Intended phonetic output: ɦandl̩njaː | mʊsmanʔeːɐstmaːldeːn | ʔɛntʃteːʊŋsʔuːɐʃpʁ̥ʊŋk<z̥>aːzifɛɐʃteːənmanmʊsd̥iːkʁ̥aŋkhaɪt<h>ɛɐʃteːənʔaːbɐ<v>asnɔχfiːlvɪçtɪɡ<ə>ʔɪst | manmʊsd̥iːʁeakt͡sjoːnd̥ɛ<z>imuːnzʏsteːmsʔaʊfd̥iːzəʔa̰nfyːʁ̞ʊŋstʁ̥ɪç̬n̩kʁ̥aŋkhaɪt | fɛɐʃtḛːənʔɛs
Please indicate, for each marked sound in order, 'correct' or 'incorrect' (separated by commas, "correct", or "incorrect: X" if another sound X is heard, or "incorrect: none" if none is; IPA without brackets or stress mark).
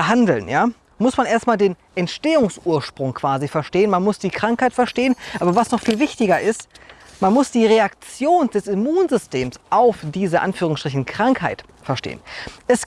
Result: incorrect: v̥, incorrect: f, correct, incorrect: ɐ, incorrect: s